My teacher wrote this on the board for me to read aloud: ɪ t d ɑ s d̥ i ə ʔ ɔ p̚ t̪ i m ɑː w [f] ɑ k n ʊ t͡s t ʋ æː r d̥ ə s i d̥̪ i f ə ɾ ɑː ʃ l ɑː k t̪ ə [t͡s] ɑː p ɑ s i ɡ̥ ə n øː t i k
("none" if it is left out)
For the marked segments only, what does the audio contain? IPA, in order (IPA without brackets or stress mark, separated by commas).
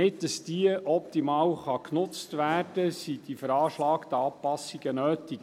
χ, none